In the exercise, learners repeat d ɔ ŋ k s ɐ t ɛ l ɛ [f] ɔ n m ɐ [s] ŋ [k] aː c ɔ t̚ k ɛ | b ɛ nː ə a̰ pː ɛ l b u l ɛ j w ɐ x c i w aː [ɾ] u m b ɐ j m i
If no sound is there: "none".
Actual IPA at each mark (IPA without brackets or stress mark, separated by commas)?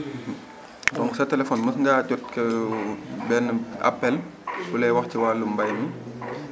f, s, ɡ, l